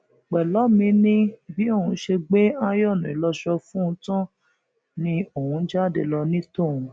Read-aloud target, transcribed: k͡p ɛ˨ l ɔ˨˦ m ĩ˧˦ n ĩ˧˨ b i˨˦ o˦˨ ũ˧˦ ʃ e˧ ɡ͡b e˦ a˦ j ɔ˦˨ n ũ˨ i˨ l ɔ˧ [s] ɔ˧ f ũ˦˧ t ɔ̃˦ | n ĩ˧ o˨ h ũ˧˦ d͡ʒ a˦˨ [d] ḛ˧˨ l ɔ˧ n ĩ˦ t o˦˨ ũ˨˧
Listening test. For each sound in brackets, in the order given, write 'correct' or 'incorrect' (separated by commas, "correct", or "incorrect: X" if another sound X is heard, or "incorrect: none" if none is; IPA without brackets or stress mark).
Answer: incorrect: ʃ, correct